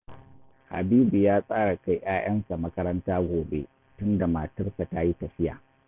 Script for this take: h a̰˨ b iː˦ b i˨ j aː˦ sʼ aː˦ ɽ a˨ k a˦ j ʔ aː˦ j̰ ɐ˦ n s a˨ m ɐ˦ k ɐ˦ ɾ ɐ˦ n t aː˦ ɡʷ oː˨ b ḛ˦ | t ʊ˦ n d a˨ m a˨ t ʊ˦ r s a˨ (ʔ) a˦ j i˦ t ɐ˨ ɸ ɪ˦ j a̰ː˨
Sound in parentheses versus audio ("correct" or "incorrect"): incorrect